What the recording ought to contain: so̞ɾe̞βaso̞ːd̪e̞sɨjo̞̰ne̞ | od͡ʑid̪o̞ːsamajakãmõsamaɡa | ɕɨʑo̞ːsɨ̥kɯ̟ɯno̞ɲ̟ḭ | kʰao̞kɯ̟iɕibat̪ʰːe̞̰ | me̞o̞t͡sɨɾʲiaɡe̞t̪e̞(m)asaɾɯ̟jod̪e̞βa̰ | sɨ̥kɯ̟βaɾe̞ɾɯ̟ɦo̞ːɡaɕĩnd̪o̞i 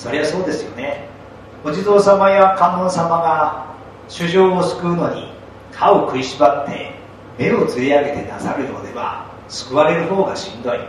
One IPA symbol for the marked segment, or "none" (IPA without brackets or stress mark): n